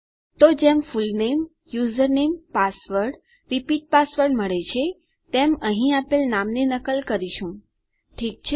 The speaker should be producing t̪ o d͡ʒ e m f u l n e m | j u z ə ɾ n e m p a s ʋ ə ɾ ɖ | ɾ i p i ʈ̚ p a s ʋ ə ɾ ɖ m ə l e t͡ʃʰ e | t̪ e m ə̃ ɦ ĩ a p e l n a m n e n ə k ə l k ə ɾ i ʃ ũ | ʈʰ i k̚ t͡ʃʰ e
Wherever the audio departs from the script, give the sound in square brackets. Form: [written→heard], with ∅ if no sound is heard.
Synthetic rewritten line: t̪ o d͡ʒ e m f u l n e m | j u z ə ɾ n e m p a s ʋ ə ɾ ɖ | ɾ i p i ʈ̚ p a s ʋ ə ɾ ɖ m ə [l→ɭ] e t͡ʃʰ e | t̪ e m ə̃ ɦ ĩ a p e l n a m n e n ə k ə l k ə ɾ i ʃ ũ | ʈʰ i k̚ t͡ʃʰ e